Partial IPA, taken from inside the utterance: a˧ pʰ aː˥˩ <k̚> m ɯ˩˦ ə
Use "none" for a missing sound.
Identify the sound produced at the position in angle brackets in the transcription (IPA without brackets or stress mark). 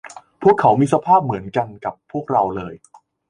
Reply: p̚